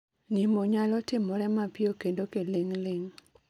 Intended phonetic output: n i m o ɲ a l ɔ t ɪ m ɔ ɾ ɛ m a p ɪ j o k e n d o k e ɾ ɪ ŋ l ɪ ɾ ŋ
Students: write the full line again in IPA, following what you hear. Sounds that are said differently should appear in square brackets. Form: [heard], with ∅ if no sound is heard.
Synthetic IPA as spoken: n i m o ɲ a l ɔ t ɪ m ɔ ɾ ɛ m a p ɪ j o k e n d o k e [l] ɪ ŋ l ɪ [∅] ŋ